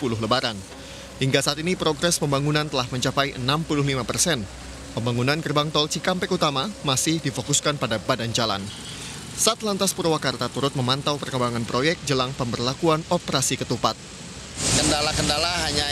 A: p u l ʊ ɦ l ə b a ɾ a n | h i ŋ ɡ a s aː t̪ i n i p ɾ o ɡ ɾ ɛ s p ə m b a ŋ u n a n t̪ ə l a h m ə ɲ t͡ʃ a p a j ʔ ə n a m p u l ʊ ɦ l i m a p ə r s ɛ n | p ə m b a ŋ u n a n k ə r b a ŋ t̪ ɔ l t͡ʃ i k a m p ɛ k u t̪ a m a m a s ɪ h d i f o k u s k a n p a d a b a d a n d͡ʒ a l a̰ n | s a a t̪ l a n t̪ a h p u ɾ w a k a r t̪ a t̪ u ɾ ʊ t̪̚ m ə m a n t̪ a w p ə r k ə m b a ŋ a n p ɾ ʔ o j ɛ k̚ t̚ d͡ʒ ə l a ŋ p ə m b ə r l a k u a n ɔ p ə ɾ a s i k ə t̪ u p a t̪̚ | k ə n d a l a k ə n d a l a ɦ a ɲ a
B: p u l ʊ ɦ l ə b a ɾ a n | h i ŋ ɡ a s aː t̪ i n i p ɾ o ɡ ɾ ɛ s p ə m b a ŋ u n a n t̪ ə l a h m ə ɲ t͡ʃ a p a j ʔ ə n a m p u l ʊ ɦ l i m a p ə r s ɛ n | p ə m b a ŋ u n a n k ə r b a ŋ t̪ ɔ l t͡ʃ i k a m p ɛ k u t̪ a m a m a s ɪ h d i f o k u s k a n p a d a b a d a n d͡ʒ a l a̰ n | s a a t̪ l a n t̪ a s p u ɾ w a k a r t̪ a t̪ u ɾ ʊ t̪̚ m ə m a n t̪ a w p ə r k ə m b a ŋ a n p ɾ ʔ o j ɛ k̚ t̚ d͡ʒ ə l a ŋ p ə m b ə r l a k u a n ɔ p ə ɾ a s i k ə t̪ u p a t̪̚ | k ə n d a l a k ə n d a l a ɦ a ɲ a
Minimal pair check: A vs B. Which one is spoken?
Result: B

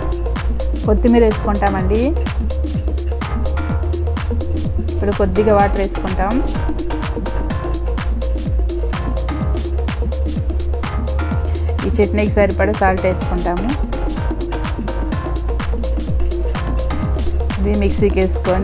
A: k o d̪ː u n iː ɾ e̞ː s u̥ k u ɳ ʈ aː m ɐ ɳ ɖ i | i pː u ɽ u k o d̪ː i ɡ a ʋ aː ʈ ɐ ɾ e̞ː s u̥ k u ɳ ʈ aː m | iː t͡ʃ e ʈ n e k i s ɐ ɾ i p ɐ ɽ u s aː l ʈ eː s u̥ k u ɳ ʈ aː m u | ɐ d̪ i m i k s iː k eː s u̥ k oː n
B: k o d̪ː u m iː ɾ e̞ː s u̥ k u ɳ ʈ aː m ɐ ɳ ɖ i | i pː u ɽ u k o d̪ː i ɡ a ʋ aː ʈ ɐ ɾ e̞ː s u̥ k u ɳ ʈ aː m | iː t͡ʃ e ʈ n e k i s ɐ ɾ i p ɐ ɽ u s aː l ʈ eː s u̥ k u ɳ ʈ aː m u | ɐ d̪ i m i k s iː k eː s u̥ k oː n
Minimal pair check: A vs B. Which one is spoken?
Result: B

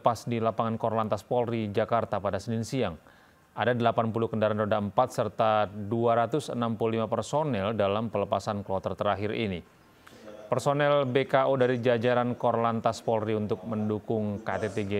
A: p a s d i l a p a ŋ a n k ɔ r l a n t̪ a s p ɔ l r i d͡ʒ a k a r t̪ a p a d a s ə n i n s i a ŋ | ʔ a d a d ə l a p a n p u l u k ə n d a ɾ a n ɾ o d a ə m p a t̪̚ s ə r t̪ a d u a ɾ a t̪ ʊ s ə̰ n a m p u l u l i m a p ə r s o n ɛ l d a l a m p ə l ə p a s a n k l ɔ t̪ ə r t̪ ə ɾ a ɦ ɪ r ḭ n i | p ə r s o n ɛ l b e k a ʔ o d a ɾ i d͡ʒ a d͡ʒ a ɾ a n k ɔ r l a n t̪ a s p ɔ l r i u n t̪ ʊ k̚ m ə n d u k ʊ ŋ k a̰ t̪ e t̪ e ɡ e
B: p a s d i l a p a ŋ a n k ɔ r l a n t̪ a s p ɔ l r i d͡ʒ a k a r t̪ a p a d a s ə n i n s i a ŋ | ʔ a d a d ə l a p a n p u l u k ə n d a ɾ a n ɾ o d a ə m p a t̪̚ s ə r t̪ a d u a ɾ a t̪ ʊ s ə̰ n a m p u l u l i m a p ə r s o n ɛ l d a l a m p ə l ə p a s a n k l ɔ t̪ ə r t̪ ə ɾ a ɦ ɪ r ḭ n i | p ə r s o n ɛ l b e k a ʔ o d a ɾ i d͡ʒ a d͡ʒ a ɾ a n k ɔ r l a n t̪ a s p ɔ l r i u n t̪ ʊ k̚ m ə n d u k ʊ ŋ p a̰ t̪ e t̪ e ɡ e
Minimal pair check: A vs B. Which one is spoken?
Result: A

